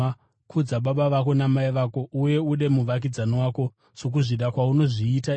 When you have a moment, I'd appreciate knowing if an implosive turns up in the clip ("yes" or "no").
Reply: yes